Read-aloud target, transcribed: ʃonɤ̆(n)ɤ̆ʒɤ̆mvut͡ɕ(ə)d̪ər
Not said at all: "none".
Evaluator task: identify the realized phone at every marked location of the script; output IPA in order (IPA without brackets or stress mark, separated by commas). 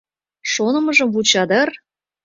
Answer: m, ɑ